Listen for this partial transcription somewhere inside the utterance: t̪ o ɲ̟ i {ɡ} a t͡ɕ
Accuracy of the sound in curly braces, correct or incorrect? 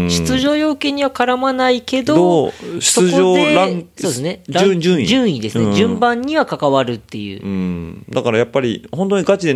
correct